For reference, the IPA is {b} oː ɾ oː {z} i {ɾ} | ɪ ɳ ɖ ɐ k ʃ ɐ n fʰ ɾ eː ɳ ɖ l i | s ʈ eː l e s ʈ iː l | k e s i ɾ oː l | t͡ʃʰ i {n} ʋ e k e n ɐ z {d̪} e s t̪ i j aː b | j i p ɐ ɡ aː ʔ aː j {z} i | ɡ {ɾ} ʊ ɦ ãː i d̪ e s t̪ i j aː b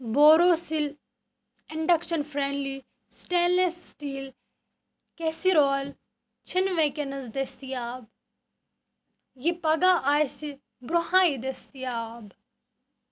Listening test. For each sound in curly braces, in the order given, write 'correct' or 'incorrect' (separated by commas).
correct, incorrect, incorrect, correct, correct, incorrect, correct